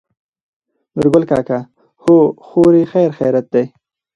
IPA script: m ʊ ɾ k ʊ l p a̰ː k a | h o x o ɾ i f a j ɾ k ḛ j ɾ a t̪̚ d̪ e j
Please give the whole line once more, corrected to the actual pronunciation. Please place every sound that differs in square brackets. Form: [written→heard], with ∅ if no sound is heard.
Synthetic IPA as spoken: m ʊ ɾ [k→ɡ] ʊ l [p→k] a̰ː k a | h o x o ɾ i [f→x] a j ɾ [k→x] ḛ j ɾ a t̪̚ d̪ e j